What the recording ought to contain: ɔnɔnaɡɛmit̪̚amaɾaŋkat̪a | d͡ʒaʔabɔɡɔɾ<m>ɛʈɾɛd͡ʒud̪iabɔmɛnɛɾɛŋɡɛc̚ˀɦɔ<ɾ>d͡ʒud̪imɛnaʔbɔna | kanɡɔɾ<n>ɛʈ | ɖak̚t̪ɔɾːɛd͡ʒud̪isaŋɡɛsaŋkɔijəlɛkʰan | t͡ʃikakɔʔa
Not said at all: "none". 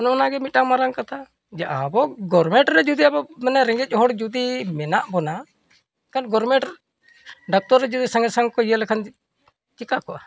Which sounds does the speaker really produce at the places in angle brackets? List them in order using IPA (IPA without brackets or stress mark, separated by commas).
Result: m, ɽ, m